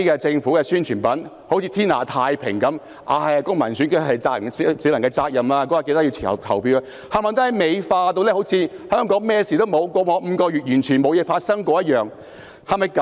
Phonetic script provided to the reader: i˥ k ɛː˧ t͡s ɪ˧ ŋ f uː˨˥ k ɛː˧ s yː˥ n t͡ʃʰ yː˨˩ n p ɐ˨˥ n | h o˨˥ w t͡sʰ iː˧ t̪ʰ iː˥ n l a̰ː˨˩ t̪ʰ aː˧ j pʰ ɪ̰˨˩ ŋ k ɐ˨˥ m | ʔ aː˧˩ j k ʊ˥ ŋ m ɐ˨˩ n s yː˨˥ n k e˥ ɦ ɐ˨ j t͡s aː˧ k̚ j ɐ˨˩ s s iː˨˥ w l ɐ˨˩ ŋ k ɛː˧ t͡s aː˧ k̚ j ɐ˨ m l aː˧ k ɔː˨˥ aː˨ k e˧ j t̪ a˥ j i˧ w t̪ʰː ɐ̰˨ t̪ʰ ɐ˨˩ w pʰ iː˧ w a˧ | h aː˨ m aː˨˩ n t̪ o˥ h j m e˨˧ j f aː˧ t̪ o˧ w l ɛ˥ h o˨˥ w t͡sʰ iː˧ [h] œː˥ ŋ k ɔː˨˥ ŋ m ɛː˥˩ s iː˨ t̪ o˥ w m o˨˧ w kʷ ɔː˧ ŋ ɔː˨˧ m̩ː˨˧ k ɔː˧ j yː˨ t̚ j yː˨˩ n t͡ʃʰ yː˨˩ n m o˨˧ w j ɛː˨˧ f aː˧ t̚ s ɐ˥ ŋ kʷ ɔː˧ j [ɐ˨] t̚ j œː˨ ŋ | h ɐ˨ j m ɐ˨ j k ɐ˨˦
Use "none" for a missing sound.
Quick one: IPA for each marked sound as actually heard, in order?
h, ɐ˥

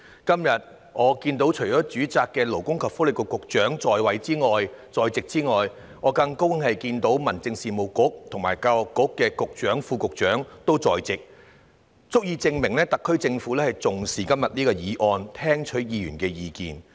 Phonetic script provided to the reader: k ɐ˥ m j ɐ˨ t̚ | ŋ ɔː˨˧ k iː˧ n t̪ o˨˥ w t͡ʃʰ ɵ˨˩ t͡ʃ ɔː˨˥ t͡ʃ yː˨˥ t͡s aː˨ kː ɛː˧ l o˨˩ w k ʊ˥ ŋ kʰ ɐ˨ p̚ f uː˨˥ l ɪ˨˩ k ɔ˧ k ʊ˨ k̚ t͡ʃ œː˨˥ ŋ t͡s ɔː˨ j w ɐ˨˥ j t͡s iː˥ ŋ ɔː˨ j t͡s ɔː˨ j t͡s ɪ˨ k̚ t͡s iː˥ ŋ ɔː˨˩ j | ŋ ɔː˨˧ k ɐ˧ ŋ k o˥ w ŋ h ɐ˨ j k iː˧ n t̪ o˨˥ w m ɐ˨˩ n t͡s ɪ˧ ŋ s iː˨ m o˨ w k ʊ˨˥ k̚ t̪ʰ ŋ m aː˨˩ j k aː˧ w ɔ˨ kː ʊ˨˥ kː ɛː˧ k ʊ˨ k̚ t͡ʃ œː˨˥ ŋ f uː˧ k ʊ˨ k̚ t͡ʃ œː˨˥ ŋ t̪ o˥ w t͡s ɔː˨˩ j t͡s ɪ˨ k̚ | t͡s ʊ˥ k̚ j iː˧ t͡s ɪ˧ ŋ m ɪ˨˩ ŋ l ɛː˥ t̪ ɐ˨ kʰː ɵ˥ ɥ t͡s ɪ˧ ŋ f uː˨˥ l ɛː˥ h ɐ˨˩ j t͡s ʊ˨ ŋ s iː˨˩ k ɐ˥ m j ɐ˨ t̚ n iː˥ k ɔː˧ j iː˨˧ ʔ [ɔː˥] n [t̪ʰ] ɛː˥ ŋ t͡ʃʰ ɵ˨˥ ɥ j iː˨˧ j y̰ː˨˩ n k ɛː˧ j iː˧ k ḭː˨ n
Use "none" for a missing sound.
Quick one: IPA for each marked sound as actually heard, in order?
ɔː˧, t̪ʰ

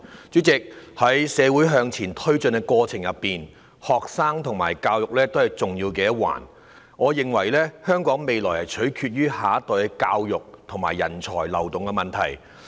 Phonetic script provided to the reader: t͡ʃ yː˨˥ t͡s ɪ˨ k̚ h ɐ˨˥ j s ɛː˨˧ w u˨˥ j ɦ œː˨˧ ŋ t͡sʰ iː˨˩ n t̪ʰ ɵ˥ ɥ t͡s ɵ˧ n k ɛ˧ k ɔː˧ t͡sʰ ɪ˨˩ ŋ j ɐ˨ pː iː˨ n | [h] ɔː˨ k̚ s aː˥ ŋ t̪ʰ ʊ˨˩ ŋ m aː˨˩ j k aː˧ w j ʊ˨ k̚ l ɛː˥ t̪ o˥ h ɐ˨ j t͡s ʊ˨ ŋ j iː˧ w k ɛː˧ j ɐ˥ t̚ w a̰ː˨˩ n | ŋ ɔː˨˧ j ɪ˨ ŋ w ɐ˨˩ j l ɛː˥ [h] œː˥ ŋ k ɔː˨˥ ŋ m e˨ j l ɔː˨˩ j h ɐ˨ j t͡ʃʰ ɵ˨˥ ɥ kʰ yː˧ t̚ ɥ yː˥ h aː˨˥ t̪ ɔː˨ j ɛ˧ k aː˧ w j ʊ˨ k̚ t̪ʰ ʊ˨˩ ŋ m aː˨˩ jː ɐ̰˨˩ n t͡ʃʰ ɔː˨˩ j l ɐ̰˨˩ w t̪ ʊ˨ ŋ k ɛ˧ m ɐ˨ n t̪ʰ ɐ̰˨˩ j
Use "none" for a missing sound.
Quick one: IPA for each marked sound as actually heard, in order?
h, h

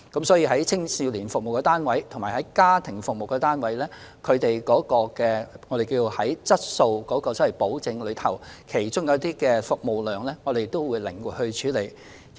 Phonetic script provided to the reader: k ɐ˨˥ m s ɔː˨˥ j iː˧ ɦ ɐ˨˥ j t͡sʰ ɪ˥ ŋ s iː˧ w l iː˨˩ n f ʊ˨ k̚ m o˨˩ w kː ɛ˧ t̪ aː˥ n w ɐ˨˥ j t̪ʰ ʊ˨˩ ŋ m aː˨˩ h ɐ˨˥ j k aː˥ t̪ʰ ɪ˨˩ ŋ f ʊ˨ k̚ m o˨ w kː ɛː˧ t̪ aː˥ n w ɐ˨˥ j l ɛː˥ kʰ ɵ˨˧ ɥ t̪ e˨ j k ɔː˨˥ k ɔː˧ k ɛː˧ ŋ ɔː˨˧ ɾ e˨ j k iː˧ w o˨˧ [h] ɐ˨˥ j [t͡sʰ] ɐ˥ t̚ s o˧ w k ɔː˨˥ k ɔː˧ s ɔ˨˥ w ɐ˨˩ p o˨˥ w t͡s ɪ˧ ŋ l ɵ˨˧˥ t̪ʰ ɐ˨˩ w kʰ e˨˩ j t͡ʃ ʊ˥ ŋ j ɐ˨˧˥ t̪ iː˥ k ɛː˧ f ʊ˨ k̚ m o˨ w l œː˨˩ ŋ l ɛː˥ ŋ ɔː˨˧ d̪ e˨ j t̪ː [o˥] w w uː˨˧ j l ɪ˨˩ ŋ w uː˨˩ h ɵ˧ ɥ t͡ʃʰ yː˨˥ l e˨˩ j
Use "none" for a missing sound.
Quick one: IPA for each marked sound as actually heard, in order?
h, t͡s, o˥

